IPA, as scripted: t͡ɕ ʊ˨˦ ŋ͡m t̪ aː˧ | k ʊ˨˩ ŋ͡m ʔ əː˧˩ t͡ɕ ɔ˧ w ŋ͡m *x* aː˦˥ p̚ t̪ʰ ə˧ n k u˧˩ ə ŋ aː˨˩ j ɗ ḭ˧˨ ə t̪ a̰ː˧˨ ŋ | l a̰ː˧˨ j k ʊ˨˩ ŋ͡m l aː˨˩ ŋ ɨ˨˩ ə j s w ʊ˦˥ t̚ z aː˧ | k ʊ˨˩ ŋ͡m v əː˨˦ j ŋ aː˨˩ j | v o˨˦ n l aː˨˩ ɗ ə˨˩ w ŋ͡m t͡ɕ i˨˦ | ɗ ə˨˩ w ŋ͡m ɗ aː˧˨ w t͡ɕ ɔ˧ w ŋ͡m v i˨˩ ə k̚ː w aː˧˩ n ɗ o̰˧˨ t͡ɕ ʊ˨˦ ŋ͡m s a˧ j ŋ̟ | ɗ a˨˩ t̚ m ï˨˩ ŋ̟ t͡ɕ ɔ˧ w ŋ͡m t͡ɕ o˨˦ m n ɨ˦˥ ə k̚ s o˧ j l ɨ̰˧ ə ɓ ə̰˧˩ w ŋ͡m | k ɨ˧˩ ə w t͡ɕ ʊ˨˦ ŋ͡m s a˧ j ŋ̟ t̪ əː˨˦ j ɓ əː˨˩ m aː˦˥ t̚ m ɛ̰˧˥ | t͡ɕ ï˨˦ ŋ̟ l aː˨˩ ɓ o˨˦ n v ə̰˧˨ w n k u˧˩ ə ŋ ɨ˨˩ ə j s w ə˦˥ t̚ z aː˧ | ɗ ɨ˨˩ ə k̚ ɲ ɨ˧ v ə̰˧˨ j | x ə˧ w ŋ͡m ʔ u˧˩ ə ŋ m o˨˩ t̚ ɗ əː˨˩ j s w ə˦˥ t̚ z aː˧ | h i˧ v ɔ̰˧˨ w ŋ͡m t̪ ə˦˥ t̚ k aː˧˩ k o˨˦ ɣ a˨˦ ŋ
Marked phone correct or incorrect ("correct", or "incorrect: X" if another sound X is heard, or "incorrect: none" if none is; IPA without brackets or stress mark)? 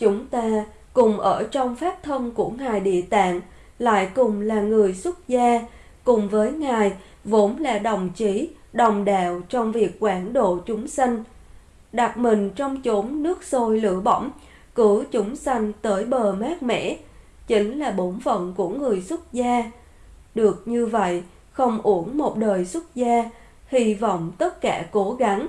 incorrect: f